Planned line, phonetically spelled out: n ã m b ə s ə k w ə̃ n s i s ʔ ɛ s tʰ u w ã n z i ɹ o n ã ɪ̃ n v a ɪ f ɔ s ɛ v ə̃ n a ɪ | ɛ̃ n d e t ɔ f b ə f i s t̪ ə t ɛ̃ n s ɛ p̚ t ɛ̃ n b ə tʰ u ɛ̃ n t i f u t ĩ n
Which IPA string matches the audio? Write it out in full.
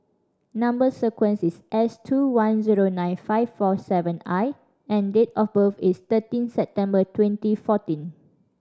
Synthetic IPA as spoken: n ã m b ə s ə k w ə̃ n s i s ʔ ɛ s tʰ u w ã n z i ɹ o n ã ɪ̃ n f a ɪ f ɔ s ɛ v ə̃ n a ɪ | ɛ̃ n d e t ɔ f b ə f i s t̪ ə t ĩ n s ɛ p̚ t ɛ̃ m b ə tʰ w ɛ̃ n t i f ɔ t ĩ n